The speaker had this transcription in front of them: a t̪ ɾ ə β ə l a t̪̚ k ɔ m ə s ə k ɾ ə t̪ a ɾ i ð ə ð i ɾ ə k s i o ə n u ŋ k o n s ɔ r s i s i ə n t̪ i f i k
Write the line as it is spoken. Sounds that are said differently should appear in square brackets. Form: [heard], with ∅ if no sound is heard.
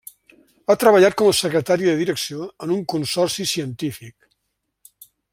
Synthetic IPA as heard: a t̪ ɾ ə β ə [ʎ] a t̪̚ k ɔ m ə s ə k ɾ ə t̪ a ɾ i ð ə ð i ɾ ə k s i o ə n u ŋ k [u] n s ɔ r s i s i ə n t̪ i f i k